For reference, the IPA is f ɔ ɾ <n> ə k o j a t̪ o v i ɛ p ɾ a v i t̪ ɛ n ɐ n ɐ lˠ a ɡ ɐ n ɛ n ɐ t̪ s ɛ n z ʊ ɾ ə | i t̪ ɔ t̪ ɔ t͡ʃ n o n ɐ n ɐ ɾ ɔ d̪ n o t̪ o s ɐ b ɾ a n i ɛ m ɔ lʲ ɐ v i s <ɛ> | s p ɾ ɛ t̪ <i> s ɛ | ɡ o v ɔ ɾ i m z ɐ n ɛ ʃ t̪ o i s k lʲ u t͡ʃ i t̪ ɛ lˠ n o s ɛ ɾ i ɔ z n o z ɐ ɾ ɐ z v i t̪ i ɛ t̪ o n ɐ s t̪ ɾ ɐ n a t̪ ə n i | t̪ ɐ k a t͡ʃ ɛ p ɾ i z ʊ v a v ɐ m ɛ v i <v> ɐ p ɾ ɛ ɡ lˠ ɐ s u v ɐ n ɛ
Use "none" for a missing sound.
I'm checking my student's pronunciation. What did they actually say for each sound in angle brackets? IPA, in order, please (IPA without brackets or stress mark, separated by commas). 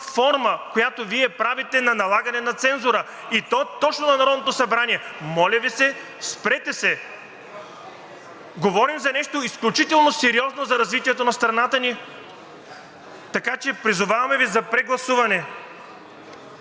m, ɛ, ɛ, z